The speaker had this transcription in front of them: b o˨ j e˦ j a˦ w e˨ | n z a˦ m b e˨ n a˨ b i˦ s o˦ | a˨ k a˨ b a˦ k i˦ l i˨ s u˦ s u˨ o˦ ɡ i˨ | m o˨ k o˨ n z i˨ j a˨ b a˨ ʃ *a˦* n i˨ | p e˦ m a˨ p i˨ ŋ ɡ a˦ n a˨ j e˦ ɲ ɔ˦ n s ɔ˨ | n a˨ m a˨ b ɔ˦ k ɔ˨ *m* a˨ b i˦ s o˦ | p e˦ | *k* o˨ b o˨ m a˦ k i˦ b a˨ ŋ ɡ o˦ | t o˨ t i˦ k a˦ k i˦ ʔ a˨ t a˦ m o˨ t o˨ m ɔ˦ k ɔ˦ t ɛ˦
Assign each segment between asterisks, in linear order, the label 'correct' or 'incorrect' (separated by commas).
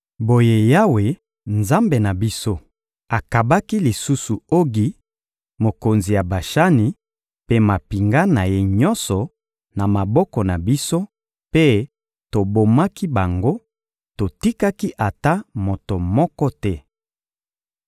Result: correct, incorrect, incorrect